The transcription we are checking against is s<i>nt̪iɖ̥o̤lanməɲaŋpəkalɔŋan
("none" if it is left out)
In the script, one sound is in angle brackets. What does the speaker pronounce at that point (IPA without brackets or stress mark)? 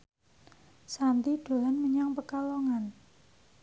a